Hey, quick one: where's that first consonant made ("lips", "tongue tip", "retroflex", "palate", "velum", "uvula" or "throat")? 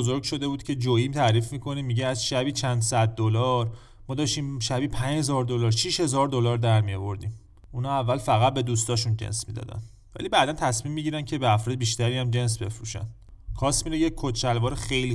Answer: tongue tip